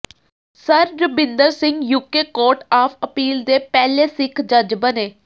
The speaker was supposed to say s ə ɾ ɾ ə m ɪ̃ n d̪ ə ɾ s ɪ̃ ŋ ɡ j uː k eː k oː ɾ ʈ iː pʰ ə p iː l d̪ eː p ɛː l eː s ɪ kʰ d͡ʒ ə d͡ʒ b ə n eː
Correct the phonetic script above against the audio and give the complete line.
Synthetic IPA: s ə ɾ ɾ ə b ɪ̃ n d̪ ə ɾ s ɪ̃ ŋ ɡ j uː k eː k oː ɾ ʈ aː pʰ ə p iː l d̪ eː p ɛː l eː s ɪ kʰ d͡ʒ ə d͡ʒ b ə n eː